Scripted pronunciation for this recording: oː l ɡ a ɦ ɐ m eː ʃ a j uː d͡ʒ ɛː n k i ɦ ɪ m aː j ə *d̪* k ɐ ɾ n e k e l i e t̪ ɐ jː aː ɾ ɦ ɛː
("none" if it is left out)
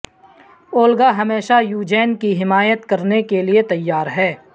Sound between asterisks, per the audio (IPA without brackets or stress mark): t̪